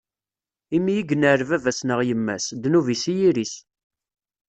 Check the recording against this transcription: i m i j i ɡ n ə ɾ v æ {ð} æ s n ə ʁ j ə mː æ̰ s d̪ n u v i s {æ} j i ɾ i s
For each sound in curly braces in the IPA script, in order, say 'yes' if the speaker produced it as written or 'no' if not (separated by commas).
no, no